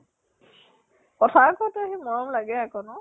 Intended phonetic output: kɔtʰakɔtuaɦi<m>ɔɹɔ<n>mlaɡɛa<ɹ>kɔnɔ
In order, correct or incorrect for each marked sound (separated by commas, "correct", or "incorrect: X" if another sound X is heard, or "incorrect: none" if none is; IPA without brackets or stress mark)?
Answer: correct, incorrect: none, incorrect: none